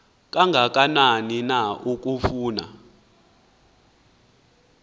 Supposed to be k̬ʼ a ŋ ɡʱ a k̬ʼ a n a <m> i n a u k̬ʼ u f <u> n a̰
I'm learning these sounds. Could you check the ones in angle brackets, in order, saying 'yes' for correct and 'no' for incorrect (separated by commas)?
no, no